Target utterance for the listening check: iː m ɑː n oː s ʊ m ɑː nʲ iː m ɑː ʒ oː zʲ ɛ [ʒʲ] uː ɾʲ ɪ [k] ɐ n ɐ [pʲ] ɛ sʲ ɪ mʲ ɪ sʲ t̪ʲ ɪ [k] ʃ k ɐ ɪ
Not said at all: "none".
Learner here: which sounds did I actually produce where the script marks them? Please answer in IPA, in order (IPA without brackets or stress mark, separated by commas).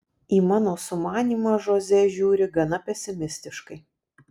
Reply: ʒʲ, ɡ, pʲ, none